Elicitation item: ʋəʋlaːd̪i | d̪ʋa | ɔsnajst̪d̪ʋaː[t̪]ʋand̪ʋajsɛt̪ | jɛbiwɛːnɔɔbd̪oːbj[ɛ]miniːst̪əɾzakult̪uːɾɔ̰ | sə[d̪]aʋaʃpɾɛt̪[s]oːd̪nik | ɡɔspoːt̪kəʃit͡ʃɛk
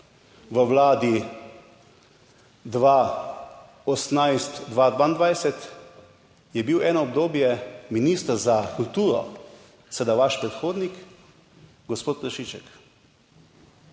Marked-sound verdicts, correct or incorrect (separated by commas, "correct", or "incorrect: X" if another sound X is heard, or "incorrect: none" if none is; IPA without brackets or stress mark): incorrect: d̪, correct, correct, incorrect: x